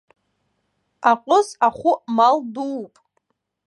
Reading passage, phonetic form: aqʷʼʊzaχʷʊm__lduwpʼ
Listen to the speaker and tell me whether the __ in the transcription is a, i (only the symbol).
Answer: a